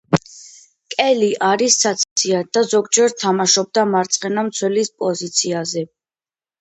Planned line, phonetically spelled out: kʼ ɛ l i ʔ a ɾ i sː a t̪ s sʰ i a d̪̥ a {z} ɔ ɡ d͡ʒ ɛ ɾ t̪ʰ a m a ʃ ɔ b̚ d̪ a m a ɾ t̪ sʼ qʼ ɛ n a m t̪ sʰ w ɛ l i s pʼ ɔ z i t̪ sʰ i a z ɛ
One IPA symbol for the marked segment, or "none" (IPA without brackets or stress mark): z